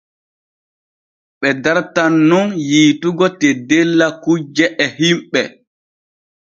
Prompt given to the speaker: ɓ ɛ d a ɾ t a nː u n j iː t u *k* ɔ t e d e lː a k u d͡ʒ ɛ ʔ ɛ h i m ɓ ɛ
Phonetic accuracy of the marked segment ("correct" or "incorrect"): incorrect